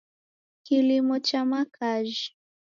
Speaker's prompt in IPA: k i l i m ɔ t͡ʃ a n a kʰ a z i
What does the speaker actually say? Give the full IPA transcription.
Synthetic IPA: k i l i m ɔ t͡ʃ a m a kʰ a ʒ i